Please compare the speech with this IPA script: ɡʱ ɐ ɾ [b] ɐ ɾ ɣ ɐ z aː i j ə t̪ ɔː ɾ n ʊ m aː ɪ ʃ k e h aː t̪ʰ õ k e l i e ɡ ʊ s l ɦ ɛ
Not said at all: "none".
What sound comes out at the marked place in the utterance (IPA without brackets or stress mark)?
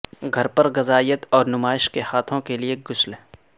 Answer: p